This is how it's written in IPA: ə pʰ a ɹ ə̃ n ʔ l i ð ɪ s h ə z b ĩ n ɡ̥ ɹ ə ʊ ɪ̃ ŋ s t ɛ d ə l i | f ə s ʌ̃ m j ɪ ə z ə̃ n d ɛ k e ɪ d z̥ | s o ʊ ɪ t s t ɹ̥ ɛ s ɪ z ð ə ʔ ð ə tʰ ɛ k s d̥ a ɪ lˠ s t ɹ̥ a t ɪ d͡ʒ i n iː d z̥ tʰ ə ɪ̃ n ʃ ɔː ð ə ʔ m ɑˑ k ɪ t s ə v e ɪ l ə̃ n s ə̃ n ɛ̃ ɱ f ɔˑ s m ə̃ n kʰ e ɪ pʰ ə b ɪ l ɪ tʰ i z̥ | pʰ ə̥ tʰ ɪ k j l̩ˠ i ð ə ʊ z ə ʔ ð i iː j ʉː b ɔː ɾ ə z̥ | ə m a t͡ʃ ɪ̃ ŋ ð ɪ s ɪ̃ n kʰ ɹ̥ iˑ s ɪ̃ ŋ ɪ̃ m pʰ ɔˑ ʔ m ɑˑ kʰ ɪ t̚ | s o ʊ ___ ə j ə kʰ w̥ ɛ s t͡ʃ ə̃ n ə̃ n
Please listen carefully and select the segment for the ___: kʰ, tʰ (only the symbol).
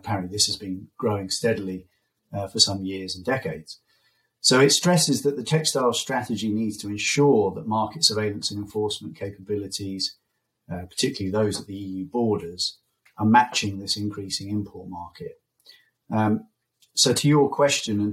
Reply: tʰ